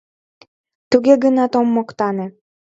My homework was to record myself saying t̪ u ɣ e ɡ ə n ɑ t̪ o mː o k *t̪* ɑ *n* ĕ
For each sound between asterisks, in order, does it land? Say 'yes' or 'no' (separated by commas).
yes, yes